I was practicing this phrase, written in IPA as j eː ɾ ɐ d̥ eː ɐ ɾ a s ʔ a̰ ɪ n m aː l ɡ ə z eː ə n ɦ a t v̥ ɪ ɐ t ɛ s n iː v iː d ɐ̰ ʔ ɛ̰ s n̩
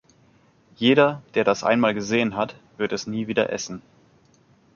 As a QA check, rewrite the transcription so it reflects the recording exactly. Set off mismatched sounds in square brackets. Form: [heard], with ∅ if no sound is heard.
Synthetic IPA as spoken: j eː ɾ ɐ d̥ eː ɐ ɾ a s ʔ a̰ ɪ n m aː l ɡ ə z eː ə n ɦ a t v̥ ɪ ɐ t ɛ s n iː v iː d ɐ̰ ʔ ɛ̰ s n̩